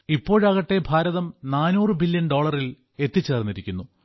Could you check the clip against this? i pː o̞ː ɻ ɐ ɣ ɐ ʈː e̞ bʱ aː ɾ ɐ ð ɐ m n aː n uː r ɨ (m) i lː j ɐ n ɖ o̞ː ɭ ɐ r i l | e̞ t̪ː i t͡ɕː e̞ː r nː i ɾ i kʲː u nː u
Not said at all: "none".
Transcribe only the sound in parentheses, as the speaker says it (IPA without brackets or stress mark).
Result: b